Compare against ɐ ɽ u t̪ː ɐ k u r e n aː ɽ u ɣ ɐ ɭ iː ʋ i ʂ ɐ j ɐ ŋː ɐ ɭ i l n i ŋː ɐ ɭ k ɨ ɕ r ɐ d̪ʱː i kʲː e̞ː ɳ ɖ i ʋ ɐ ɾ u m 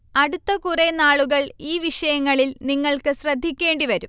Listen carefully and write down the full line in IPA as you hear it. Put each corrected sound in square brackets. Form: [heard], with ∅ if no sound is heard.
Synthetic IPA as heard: ɐ ɽ u t̪ː ɐ k u r e n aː [ɭ] u ɣ ɐ ɭ iː ʋ i ʂ ɐ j ɐ ŋː ɐ ɭ i l n i ŋː ɐ ɭ k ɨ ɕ r ɐ d̪ʱː i kʲː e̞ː ɳ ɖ i ʋ ɐ ɾ u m